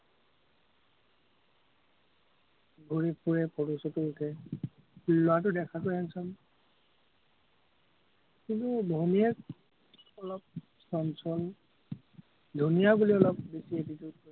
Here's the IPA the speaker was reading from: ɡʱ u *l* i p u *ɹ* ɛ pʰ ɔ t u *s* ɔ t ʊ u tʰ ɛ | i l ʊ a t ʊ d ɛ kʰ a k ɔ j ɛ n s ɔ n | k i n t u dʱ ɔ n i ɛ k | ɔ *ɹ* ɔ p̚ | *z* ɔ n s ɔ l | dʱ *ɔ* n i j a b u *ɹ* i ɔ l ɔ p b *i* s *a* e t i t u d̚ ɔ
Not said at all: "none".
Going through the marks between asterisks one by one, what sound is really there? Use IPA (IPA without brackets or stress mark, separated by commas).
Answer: ɹ, ɹ, s, l, s, u, l, e, i